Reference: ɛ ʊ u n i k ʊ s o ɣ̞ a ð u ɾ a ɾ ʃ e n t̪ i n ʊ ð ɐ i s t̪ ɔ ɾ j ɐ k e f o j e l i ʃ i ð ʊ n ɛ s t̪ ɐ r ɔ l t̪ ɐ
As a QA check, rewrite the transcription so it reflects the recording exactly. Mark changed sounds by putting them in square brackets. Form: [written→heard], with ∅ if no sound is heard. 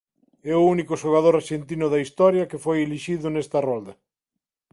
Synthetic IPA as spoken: ɛ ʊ u n i k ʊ [s→ʃ] o ɣ̞ a ð [u→o] ɾ a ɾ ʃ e n t̪ i n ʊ ð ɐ i s t̪ ɔ ɾ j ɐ k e f o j e l i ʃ i ð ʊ n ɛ s t̪ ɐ r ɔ l [t̪→d̪] ɐ